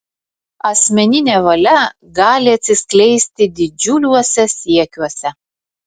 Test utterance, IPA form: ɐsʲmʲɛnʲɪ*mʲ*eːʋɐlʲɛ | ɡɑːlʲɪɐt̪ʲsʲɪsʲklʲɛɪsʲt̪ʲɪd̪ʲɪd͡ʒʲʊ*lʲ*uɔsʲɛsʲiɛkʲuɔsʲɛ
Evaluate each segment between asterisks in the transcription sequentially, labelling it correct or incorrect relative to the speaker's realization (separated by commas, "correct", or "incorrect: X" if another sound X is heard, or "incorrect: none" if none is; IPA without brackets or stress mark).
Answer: incorrect: nʲ, correct